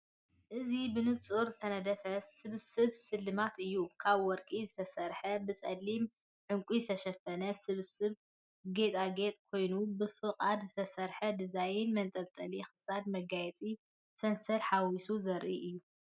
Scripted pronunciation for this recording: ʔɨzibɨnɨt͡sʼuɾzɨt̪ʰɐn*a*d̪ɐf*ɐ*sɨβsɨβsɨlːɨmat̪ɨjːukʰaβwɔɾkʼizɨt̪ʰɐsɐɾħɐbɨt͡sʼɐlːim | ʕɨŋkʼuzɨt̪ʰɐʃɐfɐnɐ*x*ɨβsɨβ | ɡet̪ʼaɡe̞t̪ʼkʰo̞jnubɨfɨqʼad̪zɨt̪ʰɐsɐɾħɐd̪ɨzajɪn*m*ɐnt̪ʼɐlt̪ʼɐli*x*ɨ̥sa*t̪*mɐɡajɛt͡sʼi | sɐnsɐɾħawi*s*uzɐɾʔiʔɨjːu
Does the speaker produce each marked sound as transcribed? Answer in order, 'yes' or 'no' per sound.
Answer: no, yes, no, yes, yes, no, yes

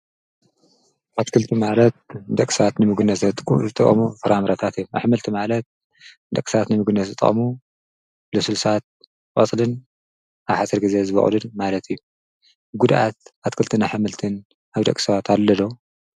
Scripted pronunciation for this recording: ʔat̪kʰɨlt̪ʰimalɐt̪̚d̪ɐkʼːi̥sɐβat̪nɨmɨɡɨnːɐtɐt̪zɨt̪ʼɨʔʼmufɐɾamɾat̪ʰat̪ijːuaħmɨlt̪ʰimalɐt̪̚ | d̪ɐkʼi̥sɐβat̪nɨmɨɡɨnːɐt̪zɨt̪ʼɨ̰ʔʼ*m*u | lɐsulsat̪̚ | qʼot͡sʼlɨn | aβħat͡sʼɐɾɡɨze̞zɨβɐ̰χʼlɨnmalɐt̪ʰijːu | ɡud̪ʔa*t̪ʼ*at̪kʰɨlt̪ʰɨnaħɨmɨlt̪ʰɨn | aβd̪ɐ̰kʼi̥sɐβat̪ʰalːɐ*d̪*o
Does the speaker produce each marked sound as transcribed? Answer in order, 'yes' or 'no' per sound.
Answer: yes, no, yes

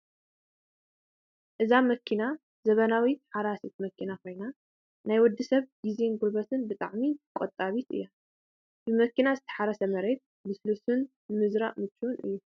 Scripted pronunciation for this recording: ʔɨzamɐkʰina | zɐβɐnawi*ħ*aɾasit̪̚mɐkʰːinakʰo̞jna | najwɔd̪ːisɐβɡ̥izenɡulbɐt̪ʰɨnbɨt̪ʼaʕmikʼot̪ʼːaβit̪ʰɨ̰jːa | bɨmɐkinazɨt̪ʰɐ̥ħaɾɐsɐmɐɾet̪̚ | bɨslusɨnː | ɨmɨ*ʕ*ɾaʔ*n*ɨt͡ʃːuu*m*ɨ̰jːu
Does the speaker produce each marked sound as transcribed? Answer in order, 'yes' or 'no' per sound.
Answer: yes, no, no, no

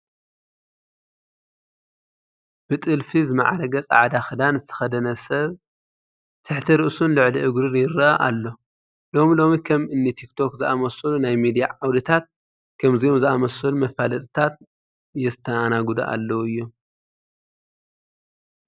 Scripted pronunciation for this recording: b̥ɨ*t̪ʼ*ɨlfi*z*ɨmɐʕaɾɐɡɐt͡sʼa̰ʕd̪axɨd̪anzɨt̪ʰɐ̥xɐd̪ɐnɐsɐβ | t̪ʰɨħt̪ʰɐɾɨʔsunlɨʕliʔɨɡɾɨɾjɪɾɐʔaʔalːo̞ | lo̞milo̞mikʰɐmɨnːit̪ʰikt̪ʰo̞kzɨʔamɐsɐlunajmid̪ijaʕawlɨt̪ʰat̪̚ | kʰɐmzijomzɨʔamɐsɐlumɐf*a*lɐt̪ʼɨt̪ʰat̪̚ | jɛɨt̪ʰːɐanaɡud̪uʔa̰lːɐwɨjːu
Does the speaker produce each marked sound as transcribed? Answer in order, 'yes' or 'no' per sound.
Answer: yes, yes, yes

